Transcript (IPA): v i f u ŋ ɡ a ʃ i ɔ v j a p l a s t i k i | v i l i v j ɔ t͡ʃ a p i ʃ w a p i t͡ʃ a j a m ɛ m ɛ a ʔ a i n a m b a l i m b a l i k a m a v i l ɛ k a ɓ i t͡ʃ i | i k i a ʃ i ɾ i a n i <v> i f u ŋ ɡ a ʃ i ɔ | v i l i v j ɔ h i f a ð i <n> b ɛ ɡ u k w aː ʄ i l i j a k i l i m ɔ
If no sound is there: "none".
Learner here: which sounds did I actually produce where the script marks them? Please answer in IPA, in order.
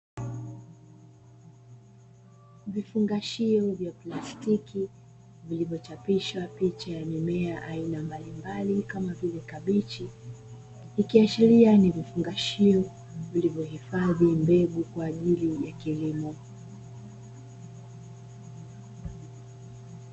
v, m

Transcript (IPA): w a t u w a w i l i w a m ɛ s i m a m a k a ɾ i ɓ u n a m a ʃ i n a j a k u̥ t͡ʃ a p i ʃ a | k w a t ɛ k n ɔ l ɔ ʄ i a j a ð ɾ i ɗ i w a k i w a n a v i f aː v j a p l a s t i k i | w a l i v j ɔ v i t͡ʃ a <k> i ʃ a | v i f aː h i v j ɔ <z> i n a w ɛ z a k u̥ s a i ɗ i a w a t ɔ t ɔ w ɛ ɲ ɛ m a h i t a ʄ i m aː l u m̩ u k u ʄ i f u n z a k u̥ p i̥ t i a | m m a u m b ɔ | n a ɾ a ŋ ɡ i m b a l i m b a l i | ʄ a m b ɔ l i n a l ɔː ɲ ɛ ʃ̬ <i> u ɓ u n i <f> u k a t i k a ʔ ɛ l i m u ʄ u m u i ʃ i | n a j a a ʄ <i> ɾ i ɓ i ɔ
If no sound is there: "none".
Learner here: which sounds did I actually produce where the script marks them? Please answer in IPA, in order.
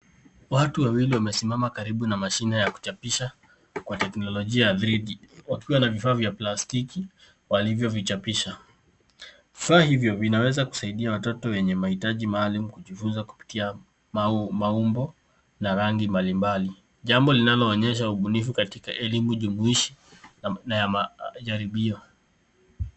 p, v, a, f, a

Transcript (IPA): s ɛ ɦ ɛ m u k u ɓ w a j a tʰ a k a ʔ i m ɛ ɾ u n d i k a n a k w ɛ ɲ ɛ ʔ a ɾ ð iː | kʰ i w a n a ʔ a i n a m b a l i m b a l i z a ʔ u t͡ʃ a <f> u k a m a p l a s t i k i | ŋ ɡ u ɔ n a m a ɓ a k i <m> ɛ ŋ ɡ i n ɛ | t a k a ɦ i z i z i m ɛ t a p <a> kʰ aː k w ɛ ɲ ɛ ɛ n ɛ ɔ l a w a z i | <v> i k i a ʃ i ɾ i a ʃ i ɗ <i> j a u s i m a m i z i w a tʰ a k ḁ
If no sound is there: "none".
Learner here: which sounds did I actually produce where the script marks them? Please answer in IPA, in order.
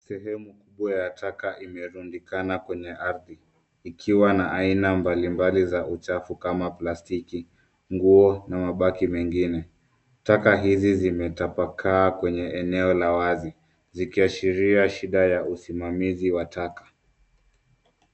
f, m, a, z, a

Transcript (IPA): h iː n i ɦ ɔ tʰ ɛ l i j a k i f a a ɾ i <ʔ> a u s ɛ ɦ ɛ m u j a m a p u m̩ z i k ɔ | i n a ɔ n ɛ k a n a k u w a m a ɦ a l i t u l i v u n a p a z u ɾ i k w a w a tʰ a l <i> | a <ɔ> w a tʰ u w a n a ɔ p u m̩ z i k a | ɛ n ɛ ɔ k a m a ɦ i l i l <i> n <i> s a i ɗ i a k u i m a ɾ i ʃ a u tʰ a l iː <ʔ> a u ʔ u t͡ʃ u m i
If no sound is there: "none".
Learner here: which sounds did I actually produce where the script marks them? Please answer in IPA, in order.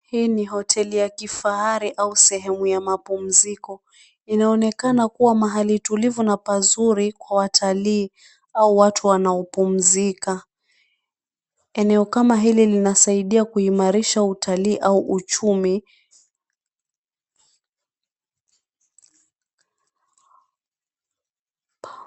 ʔ, iː, u, i, a, ʔ

